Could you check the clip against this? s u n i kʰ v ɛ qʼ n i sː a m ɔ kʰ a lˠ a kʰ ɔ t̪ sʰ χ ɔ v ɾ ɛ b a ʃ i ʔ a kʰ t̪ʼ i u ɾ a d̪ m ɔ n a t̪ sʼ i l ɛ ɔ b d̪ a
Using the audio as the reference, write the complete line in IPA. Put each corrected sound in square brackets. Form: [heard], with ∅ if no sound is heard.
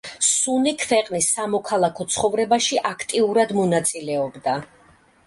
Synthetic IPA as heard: s u n i kʰ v ɛ qʼ n i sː a m ɔ kʰ a lˠ a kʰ ɔ t̪ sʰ χ ɔ v ɾ ɛ b a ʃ i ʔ a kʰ t̪ʼ i u ɾ a d̪ m ɔ n a t̪ sʼ i l ɛ ɔ b d̪ a